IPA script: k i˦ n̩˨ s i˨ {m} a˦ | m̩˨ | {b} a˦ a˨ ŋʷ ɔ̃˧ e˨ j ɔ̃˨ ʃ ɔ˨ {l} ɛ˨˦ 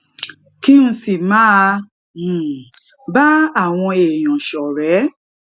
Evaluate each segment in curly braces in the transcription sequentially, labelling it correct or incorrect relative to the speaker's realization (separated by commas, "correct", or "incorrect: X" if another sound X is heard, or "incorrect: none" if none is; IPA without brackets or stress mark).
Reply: correct, correct, incorrect: ɾ